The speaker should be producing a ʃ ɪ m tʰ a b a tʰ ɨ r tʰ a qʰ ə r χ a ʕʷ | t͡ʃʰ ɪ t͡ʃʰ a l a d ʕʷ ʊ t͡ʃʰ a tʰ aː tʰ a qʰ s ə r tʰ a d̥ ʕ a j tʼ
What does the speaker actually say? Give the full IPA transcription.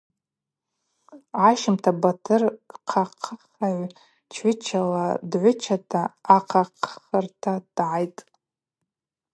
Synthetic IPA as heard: a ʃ ɪ m tʰ a b a tʰ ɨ r qʰ a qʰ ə χ a ʕʷ | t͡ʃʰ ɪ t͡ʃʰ a l a d ʕʷ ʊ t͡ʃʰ a tʰ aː qʰ a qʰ χ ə r tʰ a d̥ ʕ a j tʼ